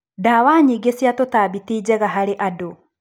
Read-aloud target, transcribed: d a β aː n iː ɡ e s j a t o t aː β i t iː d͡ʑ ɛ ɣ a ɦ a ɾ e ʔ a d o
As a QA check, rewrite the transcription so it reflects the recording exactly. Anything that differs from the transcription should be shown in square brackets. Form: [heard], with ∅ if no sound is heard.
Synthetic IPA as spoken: d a [w] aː [ɲ] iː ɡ e s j a t o t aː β i t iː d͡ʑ ɛ ɣ a ɦ a ɾ e ʔ a d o